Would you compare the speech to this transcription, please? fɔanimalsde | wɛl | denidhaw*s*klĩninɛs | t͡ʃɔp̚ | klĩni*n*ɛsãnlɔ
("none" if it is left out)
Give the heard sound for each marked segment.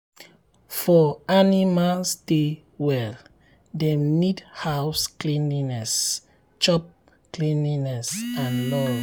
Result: s, n

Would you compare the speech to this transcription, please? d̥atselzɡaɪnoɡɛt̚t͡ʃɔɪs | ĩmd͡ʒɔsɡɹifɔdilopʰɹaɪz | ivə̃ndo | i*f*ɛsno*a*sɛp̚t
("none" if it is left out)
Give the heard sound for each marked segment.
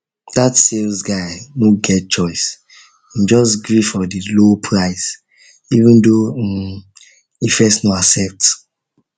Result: f, a

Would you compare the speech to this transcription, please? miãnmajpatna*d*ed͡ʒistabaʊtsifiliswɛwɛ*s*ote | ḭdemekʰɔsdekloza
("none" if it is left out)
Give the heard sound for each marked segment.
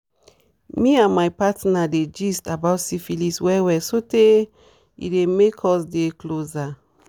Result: d, s

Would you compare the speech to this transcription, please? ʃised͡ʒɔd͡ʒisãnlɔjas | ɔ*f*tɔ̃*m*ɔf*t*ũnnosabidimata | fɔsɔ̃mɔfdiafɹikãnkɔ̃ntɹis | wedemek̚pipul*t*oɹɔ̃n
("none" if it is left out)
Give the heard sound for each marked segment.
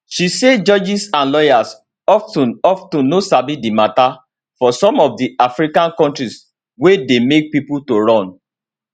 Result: f, n, t, t

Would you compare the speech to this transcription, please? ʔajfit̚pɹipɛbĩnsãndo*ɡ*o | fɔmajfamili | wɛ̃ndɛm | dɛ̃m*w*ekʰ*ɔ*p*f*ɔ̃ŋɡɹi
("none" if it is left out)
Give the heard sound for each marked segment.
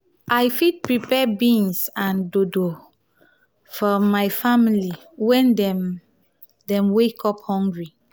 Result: d, w, ɔ, h

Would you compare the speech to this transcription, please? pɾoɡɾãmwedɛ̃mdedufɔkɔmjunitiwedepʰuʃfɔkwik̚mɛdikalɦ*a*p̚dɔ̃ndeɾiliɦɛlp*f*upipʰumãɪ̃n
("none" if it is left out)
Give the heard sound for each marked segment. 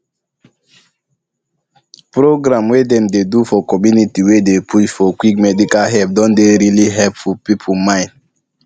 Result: ɛ, f

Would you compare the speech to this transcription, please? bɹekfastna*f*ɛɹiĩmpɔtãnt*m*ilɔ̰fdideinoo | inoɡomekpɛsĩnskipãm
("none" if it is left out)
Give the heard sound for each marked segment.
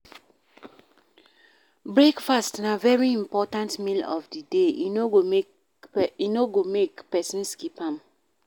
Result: v, m

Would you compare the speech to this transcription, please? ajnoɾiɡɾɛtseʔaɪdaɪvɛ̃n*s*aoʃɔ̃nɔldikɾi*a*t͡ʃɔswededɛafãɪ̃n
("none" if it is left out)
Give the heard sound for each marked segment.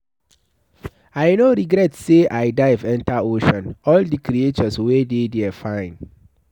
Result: t, e

